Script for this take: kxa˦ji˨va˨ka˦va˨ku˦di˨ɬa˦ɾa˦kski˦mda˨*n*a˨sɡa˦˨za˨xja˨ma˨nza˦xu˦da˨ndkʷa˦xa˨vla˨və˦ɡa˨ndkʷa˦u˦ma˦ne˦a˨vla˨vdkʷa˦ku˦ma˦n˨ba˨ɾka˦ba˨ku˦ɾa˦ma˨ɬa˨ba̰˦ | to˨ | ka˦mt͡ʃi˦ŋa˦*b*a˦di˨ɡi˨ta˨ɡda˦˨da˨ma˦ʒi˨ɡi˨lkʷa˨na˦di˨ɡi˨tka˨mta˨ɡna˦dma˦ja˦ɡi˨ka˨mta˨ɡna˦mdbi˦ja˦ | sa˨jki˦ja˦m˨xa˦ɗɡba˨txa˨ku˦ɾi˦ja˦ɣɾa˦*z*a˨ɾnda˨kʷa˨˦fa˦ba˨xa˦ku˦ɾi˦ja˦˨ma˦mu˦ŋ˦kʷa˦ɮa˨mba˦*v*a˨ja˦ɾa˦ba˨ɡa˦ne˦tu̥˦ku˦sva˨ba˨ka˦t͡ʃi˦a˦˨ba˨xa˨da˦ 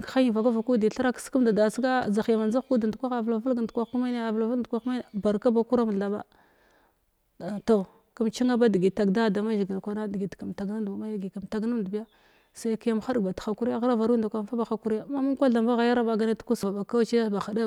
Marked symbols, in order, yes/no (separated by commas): no, yes, no, no